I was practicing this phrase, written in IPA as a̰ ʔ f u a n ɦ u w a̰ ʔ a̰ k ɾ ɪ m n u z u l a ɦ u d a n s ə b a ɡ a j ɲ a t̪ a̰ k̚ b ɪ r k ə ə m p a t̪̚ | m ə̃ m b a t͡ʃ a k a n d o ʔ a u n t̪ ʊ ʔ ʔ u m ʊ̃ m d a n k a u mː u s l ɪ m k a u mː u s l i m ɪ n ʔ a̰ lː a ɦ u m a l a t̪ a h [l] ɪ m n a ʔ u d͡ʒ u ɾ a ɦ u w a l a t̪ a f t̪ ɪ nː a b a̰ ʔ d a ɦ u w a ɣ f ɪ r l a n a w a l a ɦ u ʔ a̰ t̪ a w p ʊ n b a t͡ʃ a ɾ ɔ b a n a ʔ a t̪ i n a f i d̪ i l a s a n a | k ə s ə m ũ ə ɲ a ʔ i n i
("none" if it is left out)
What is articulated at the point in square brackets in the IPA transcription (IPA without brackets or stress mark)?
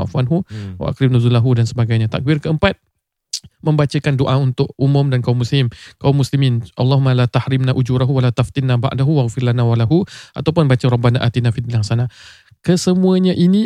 ɾ